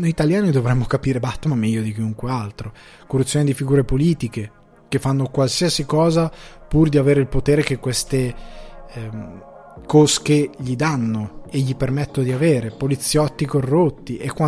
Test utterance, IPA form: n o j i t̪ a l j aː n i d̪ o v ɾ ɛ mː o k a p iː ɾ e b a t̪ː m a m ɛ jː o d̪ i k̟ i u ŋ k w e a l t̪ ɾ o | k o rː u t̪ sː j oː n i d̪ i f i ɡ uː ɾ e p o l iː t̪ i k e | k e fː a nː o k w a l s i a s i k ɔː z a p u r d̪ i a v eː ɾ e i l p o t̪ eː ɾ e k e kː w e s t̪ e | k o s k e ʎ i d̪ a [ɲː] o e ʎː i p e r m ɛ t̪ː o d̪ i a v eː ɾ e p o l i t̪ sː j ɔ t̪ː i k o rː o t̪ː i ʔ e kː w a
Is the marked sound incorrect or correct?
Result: incorrect